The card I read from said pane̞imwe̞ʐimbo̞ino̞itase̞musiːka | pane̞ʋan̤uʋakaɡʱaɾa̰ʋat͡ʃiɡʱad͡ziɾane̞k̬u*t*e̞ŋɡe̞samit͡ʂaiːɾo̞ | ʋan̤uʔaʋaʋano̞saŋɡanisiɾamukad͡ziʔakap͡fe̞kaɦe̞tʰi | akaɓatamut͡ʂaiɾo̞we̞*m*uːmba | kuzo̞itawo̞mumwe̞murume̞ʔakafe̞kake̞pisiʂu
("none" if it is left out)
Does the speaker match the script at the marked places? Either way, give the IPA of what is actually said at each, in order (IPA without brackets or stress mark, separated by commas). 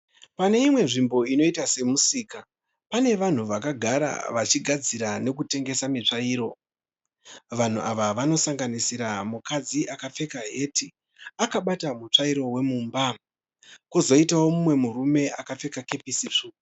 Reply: t, m